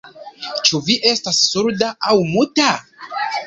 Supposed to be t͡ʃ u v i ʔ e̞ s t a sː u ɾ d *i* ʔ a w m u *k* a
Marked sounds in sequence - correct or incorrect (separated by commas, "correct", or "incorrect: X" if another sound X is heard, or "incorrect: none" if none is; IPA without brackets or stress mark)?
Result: incorrect: a, incorrect: t